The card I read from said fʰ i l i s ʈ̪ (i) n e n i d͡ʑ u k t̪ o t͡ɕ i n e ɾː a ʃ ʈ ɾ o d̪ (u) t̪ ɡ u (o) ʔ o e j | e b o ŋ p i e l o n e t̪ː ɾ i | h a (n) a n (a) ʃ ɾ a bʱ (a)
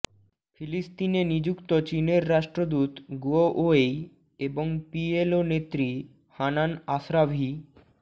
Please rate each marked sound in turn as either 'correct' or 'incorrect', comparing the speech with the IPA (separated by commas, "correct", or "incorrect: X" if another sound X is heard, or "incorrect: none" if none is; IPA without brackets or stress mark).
correct, correct, correct, correct, correct, incorrect: i